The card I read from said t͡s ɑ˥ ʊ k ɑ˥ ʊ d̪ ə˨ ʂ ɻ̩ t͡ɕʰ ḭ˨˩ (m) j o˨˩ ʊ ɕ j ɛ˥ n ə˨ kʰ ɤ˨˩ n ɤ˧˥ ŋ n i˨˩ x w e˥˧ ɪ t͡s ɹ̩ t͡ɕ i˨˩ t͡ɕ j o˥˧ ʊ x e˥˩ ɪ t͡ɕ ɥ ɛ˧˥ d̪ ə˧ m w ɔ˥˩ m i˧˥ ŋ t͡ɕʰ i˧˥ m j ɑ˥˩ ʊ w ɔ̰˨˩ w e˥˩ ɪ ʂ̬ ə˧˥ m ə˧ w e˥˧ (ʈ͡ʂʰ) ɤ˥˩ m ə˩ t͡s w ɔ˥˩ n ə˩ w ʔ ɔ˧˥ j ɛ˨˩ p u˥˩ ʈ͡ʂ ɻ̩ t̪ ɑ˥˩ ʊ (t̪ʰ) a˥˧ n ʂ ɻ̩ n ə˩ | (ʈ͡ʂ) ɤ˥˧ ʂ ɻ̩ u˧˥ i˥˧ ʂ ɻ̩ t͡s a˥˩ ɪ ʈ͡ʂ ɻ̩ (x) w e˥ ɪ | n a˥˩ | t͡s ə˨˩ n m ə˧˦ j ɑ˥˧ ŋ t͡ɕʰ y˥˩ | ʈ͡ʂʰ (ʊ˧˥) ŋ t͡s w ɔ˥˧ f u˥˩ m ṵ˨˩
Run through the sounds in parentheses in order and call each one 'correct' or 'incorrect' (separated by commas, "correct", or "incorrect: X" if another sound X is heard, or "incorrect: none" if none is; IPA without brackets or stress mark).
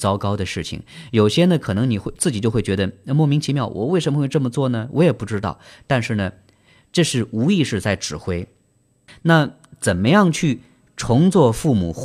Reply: incorrect: ŋ, incorrect: ʈ͡ʂ, incorrect: t̪, correct, correct, correct